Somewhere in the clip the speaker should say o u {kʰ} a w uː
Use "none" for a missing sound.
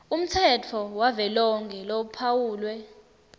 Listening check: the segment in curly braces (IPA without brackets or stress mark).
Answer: pʰ